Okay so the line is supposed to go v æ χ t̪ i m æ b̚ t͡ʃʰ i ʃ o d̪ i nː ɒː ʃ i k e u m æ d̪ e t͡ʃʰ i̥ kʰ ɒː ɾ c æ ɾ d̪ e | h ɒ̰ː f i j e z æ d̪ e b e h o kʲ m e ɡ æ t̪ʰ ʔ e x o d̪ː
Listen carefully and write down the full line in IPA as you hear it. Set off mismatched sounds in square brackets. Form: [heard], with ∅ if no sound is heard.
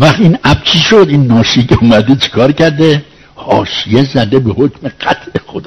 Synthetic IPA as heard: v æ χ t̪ i [n] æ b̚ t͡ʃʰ i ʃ o d̪ i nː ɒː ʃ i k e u m æ d̪ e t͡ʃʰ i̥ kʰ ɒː ɾ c æ ɾ d̪ e | h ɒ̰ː [ʃ] i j e z æ d̪ e b e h o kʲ m e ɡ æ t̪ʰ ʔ e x o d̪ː